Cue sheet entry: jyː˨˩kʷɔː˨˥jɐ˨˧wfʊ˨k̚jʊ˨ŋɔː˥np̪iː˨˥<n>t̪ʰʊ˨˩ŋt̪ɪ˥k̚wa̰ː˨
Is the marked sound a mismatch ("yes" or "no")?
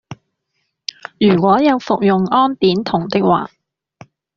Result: no